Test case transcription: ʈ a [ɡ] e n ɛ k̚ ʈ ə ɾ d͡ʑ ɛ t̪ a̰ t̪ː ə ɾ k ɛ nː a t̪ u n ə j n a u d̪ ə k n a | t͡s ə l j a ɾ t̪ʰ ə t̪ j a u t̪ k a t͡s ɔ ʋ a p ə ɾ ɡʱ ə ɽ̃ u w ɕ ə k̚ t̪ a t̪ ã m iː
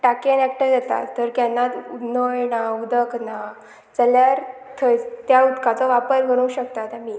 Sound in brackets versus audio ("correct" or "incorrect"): incorrect